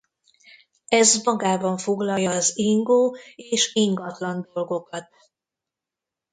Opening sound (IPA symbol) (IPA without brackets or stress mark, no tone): ɛ